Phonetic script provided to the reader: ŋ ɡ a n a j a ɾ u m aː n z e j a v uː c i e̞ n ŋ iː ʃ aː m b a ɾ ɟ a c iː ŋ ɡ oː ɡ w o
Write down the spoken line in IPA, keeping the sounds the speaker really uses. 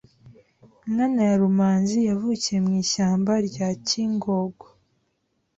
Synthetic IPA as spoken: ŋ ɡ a n a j a ɾ u m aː n z i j a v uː c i e̞ m ŋ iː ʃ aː m b a ɾ ɟ a c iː ŋ ɡ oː ɡ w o